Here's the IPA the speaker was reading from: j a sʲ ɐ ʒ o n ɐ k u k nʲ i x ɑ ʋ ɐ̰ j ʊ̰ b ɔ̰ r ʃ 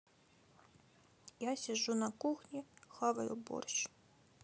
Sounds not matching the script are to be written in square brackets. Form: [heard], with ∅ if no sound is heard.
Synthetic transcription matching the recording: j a sʲ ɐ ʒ [u] n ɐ k u [x] nʲ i x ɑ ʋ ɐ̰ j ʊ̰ b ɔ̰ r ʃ

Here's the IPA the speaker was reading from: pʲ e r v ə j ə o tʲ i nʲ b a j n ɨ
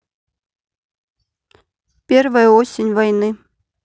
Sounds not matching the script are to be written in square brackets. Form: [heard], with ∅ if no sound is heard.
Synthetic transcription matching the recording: pʲ e r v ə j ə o [sʲ] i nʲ [v] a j n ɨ

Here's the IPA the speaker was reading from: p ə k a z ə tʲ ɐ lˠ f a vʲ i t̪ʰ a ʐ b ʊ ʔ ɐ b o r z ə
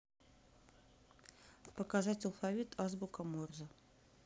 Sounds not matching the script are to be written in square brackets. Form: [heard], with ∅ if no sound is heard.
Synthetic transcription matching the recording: p ə k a z [a] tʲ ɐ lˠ f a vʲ i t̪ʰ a [z] b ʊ [k] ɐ [m] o r z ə

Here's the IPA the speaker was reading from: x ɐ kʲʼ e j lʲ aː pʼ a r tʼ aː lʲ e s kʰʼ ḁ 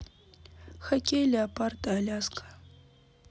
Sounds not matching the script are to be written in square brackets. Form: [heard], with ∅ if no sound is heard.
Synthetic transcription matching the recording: x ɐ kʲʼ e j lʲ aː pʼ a r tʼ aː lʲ [a] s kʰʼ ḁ

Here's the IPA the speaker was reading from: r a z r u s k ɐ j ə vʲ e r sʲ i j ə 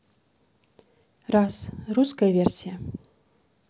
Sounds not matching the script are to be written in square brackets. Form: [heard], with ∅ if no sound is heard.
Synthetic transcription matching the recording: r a [s] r u s k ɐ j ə vʲ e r sʲ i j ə

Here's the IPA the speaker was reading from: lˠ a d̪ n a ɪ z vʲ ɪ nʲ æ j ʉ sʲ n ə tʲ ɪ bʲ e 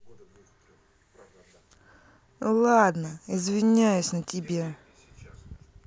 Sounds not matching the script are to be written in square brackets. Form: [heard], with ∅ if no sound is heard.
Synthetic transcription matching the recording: lˠ a d̪ n [ə] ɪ z vʲ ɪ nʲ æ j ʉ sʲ n ə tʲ ɪ bʲ e

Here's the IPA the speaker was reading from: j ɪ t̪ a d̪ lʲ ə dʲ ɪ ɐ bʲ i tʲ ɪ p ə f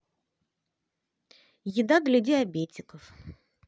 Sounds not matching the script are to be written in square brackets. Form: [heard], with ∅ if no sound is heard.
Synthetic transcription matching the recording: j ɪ [d̪] a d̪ lʲ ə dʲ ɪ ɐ bʲ [e] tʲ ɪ [k] ə f

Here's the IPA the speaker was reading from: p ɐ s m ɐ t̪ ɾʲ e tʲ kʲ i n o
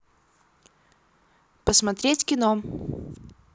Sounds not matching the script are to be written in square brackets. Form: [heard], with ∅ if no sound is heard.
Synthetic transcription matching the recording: p [ə] s m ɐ t̪ ɾʲ e tʲ kʲ [ɪ] n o

